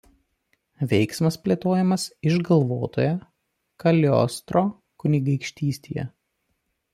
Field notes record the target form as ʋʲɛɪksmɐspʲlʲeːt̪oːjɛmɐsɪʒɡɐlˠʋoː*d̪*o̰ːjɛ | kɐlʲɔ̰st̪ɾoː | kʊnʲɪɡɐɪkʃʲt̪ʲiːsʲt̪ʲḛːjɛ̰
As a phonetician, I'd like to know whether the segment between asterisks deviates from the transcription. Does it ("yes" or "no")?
yes